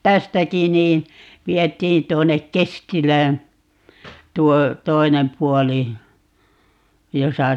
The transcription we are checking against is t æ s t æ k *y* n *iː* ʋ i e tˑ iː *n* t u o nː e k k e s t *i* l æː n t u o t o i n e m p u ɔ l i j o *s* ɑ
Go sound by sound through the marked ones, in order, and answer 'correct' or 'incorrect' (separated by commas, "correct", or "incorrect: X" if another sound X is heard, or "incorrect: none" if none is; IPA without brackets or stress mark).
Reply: incorrect: i, correct, correct, correct, correct